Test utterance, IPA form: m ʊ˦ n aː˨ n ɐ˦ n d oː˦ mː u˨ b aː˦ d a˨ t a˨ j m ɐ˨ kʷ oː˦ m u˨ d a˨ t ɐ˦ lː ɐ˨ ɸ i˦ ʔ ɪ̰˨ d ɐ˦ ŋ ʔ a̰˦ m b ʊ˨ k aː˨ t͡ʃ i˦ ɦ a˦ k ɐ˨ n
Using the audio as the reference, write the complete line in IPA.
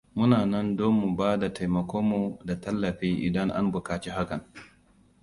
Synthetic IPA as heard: m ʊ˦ n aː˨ n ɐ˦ n d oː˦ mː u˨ b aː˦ d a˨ t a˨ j m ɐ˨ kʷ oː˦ m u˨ d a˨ t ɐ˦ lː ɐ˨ ɸ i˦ ʔ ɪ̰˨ d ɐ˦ ŋ ʔ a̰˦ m b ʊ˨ k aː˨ t͡ʃ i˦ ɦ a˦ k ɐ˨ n